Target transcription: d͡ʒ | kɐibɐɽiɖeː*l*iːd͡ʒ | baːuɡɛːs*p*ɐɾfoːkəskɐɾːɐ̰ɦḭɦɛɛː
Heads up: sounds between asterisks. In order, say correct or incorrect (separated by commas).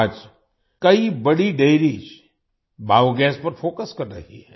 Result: incorrect, correct